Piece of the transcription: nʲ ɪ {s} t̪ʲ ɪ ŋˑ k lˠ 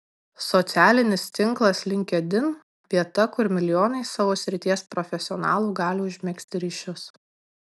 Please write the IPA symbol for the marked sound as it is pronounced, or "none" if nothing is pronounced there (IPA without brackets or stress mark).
s